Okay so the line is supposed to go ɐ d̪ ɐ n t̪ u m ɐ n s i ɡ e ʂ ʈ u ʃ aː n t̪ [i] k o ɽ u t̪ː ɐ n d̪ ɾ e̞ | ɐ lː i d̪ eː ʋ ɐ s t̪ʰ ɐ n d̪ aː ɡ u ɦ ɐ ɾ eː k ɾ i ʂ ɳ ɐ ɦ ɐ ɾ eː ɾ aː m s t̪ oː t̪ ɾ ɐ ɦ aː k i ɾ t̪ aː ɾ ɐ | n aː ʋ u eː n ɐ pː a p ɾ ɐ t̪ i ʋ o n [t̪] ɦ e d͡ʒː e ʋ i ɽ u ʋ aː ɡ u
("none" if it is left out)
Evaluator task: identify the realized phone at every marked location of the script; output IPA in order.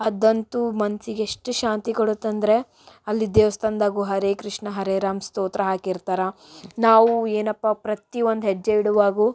i, d̪

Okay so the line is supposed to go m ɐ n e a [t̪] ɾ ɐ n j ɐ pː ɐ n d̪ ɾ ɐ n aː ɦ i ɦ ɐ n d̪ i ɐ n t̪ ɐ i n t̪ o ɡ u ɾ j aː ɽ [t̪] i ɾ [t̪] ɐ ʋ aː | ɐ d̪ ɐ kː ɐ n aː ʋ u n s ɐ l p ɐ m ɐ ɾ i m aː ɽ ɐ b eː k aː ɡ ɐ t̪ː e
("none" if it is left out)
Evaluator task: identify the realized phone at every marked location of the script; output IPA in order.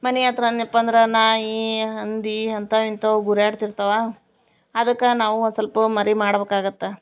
t̪, t̪, t̪

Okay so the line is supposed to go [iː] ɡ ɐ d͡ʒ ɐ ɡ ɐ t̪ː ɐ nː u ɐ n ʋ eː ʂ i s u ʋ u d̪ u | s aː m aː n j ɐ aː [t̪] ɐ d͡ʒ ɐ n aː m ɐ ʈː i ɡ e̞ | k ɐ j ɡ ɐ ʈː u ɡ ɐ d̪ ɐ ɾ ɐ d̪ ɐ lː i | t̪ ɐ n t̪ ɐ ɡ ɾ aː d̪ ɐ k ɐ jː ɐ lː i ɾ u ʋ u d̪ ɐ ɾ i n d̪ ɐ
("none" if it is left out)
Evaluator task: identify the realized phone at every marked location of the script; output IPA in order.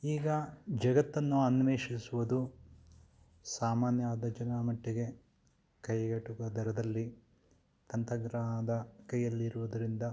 iː, d̪

